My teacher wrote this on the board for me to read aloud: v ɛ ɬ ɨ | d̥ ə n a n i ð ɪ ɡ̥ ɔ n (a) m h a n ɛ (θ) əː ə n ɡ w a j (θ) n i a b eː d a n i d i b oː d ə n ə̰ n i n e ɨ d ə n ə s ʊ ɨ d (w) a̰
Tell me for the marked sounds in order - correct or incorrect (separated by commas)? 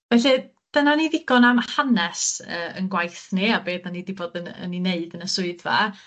correct, incorrect, correct, incorrect